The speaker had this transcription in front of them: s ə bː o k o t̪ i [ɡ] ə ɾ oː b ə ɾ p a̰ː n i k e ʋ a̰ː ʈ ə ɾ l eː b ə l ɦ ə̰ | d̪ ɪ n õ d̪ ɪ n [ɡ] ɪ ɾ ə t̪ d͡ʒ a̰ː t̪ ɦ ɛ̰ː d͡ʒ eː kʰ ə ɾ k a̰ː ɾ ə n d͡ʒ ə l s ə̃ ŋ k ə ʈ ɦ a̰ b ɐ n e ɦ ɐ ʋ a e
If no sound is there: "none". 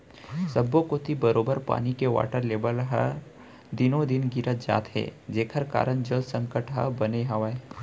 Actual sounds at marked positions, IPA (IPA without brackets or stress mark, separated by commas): b, ɡ